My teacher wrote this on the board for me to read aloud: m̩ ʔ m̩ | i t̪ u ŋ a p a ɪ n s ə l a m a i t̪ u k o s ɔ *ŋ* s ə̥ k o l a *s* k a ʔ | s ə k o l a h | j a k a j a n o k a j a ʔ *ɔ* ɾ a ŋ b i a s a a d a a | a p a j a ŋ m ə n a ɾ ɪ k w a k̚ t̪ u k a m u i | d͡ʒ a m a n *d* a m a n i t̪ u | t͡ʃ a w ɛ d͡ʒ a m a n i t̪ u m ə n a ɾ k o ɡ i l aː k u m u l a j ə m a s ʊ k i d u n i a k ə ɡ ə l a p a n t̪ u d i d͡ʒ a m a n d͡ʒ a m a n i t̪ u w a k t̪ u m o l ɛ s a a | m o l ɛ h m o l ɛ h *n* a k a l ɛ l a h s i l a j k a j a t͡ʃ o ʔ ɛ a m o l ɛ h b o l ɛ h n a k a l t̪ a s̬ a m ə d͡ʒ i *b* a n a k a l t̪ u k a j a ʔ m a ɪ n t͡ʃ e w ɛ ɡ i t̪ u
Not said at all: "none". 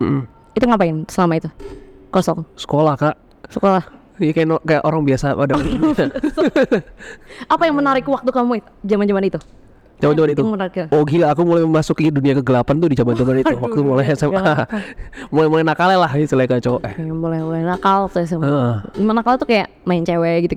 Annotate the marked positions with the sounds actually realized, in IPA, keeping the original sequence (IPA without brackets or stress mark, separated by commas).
ŋ, h, o, d͡ʒ, n, m